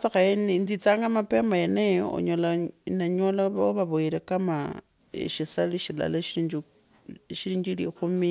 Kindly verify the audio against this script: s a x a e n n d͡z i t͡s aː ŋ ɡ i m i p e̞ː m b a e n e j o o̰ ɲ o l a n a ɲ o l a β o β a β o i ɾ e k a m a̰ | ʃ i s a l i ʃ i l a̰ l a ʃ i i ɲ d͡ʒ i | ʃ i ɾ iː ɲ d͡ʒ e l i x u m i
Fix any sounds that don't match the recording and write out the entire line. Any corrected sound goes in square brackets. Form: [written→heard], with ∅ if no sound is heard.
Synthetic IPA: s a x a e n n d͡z i t͡s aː ŋ ɡ [i→a] m [i→a] p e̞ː m b a e n e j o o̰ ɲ o l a n a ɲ o l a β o β a β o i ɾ e k a m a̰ | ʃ i s a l i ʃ i l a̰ l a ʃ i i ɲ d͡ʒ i | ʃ i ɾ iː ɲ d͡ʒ [e→i] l i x u m i